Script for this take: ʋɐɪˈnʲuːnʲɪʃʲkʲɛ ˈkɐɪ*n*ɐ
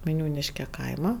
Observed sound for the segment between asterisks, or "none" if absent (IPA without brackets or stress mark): m